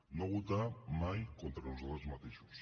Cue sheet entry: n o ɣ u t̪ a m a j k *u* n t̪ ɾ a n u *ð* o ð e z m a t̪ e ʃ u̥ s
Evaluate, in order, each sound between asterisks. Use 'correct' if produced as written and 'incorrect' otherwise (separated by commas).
incorrect, incorrect